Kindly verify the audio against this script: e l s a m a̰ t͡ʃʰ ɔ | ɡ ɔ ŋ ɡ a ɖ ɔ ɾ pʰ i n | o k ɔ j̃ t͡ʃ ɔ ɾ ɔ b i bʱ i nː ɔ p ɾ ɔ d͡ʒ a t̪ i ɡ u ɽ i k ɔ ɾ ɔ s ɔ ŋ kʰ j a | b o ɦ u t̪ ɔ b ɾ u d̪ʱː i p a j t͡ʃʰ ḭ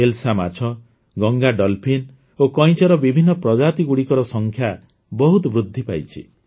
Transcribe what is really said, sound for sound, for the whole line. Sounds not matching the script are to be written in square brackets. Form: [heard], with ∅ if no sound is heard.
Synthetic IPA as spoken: e l s a m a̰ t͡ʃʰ ɔ | ɡ ɔ ŋ ɡ a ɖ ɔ [l] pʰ i n | o k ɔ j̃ t͡ʃ ɔ ɾ ɔ b i bʱ i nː ɔ p ɾ ɔ d͡ʒ a t̪ i ɡ u ɽ i k ɔ ɾ ɔ s ɔ ŋ kʰ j a | b [ɔ] ɦ u t̪ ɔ b ɾ u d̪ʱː i p a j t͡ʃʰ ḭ